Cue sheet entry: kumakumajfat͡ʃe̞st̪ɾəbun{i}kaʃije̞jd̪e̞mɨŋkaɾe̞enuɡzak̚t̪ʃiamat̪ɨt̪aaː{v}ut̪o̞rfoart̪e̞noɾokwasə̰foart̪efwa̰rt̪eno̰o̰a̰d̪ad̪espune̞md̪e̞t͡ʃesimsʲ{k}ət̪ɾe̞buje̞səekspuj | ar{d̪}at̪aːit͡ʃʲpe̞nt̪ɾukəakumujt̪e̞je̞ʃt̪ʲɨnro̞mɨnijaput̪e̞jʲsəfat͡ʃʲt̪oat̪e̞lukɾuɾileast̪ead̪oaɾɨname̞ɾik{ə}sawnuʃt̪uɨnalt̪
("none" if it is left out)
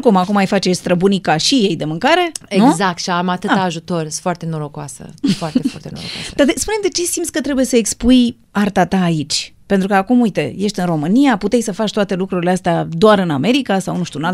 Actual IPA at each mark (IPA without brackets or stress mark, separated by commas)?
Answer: i, ʒ, k, t̪, a